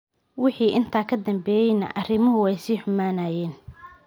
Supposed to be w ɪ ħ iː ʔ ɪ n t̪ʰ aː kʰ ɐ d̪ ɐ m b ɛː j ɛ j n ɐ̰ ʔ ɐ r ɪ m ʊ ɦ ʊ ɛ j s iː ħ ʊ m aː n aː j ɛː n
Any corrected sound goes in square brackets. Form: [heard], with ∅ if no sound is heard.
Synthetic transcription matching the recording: w ɪ ħ iː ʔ ɪ n t̪ʰ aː kʰ ɐ d̪ ɐ m b ɛː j ɛ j n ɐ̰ ʔ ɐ r ɪ m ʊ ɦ ʊ ɛ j s iː ħ ʊ m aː n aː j ɛː n